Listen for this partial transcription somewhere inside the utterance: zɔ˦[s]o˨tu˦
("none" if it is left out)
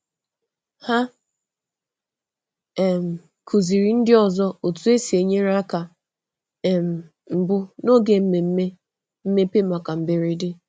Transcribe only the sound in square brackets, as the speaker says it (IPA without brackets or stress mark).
none